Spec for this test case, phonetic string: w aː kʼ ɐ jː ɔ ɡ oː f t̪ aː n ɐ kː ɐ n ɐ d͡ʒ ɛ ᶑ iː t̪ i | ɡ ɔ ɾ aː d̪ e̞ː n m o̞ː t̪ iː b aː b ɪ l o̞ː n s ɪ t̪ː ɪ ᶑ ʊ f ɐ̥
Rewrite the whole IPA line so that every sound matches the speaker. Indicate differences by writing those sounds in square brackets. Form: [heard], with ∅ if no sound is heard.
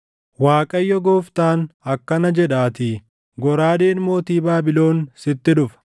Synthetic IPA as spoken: w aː kʼ ɐ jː ɔ ɡ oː f t̪ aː n ɐ kː ɐ n ɐ d͡ʒ ɛ ᶑ [aː] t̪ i | ɡ ɔ ɾ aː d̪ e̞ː n m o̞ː t̪ iː b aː b ɪ l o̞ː n s ɪ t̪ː ɪ ᶑ ʊ f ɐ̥